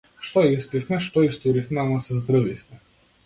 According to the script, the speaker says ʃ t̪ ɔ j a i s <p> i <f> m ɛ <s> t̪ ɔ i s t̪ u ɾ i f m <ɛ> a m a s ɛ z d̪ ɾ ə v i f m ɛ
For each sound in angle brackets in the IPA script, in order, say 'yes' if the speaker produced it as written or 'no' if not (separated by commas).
yes, yes, no, yes